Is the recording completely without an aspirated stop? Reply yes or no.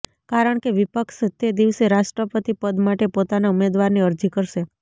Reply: yes